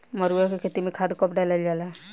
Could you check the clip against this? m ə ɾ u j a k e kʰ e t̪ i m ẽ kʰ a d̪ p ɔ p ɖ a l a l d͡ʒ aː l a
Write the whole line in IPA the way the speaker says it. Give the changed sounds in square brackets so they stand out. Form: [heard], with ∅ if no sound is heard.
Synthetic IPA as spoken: m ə ɾ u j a k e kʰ e t̪ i m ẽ kʰ a d̪ [k] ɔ p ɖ a l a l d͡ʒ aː l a